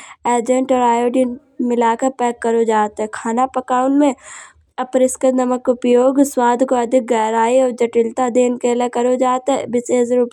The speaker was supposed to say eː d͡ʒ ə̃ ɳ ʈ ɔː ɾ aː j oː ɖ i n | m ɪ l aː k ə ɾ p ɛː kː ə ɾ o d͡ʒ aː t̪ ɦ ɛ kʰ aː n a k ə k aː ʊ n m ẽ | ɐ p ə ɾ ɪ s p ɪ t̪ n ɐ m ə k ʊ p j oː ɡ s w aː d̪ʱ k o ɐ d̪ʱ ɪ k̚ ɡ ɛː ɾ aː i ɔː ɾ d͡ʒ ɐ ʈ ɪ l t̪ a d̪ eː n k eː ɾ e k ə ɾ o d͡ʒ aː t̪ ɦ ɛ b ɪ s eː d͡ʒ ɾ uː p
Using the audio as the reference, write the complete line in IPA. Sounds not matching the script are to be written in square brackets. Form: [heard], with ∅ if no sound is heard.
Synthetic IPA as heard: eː d͡ʒ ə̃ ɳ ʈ ɔː ɾ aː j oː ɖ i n | m ɪ l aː k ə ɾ p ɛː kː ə ɾ o d͡ʒ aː t̪ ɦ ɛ kʰ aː n a [p] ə k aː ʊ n m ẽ | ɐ p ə ɾ ɪ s [k] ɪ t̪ n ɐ m ə k ʊ p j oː ɡ s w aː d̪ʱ k o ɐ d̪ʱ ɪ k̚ ɡ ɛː ɾ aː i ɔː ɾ d͡ʒ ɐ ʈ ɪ l t̪ a d̪ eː n k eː [l] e k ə ɾ o d͡ʒ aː t̪ ɦ ɛ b ɪ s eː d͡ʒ ɾ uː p